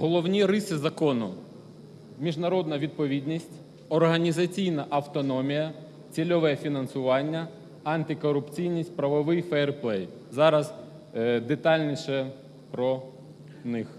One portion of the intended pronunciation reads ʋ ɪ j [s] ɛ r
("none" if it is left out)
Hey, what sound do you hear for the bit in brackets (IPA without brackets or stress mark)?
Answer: f